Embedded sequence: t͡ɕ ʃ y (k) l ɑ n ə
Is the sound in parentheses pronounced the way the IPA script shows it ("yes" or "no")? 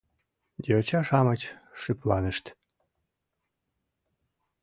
no